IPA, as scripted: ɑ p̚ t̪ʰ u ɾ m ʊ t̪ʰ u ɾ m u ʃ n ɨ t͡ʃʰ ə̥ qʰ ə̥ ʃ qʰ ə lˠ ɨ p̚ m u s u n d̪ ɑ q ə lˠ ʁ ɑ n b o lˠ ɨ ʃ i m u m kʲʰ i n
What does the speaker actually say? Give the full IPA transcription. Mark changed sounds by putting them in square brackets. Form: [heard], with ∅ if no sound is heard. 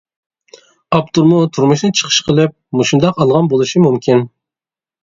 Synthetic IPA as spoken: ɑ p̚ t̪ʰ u ɾ m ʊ t̪ʰ u ɾ m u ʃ n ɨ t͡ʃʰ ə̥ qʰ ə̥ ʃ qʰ ə lˠ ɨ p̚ m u [ʃ] u n d̪ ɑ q [ɑ] lˠ ʁ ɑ n b o lˠ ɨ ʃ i m u m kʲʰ i n